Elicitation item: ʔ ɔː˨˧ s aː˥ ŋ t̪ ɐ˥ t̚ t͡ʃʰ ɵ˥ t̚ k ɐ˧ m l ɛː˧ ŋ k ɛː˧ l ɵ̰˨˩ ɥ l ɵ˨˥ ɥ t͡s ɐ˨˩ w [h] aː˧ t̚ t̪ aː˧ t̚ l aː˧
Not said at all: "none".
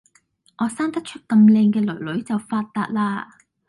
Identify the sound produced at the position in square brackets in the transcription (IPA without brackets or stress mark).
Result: f